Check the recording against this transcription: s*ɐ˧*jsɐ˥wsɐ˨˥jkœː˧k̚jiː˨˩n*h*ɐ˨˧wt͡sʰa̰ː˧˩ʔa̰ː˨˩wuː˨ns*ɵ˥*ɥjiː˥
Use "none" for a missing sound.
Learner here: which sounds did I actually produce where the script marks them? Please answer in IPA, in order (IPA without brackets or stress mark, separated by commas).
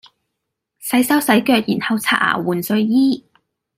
ɐ˨˥, h, ɵ˧